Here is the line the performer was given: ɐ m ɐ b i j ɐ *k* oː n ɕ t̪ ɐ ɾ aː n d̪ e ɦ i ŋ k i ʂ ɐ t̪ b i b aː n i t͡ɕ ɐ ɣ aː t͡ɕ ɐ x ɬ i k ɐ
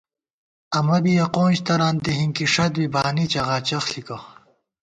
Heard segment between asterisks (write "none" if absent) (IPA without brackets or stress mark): q